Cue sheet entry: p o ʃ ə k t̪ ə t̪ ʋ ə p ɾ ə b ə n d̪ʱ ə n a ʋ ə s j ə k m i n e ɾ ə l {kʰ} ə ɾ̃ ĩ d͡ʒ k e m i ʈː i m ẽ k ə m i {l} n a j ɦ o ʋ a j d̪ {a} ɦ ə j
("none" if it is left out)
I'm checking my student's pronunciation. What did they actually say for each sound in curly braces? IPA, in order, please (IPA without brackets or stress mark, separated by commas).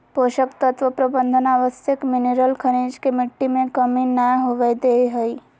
kʰ, none, e